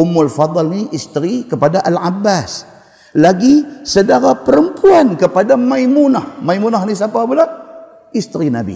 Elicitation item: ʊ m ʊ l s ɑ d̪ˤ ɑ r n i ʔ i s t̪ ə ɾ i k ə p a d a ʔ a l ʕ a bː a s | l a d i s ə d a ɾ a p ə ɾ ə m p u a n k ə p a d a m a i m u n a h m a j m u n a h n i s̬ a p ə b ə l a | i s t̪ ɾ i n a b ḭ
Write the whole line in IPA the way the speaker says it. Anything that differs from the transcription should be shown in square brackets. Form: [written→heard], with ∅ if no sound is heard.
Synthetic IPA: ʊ m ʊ l [s→f] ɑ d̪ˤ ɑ [r→l] n i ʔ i s t̪ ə ɾ i k ə p a d a ʔ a l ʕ a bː a s | l a [d→ɡ] i s ə d a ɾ a p ə ɾ ə m p u a n k ə p a d a m a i m u n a h m a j m u n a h n i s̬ a p [ə→a] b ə l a | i s t̪ ɾ i n a b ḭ